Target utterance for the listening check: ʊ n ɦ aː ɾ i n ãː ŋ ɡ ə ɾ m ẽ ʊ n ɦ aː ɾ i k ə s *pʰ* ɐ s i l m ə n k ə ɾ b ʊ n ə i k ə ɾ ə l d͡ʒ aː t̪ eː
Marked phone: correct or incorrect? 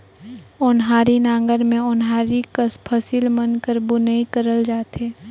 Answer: correct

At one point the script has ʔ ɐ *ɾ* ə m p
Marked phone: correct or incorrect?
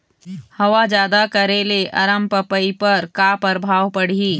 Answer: correct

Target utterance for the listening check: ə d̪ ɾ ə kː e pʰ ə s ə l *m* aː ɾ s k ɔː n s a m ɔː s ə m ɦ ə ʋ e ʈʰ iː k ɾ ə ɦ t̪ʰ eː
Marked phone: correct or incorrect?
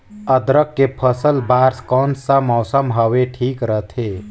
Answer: incorrect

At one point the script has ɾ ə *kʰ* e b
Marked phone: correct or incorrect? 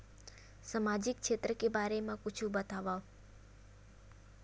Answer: incorrect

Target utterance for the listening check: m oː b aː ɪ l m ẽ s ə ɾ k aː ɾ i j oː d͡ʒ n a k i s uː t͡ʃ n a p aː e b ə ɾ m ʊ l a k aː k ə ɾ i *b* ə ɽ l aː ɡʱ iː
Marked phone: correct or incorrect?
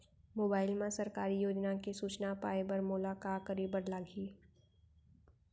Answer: correct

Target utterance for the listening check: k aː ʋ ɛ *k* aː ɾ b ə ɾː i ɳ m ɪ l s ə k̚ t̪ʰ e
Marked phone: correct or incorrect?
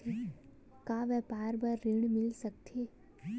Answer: incorrect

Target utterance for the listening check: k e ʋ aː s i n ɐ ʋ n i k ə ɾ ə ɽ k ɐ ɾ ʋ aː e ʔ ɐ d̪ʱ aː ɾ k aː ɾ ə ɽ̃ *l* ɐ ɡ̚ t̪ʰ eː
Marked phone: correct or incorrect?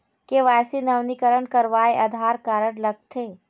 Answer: correct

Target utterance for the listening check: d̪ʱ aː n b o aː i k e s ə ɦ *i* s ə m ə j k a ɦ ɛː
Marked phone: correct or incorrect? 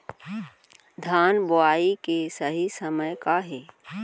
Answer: correct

